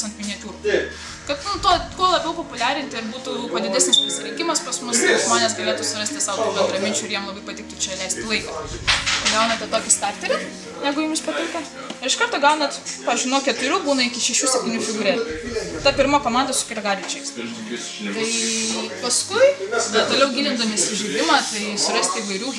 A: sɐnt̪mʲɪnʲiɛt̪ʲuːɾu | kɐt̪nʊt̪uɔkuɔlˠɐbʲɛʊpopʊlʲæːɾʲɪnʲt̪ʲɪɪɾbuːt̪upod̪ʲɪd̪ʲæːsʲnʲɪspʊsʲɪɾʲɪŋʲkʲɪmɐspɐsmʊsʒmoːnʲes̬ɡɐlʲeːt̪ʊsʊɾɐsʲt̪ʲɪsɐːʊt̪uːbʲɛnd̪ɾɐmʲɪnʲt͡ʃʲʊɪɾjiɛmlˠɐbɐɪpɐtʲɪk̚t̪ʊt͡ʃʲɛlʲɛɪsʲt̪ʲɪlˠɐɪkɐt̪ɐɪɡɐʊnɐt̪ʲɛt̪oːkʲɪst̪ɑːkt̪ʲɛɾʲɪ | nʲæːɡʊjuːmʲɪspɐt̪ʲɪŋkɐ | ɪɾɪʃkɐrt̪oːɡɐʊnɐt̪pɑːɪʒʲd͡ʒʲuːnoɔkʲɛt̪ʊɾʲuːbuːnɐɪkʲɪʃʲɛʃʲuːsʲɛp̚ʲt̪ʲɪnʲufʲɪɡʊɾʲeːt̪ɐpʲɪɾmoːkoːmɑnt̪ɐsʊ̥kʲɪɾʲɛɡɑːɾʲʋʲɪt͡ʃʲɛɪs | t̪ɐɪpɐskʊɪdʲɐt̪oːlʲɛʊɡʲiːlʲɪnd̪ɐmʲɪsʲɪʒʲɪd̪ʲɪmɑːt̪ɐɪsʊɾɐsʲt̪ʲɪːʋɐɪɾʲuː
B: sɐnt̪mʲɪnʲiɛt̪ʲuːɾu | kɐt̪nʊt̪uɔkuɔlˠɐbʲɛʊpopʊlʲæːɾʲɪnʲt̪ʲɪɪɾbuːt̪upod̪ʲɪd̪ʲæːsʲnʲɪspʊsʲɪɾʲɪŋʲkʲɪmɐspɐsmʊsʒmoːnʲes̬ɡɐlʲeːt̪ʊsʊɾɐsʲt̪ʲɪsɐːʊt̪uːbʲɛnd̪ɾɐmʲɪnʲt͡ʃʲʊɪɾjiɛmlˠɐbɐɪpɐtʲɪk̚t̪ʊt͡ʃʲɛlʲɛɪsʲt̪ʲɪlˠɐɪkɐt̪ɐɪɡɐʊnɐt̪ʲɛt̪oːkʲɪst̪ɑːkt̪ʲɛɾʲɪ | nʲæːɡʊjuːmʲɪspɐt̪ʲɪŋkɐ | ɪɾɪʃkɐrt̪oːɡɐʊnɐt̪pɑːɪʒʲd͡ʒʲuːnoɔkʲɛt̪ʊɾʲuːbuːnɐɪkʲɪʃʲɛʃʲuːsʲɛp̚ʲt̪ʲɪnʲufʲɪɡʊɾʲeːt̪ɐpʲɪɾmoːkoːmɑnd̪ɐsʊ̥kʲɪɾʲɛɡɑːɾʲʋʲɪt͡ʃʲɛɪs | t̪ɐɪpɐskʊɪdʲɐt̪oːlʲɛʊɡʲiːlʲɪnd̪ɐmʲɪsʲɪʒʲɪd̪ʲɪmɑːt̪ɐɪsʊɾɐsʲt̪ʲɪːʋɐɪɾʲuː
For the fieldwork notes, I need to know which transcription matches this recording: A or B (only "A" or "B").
B